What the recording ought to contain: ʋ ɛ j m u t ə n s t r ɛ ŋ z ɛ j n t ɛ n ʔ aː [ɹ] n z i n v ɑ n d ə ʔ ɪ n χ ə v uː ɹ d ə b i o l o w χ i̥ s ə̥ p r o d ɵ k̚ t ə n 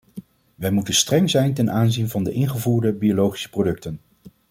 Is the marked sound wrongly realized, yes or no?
yes